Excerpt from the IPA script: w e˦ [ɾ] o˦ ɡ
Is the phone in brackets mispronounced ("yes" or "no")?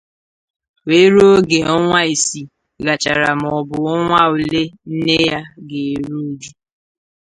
no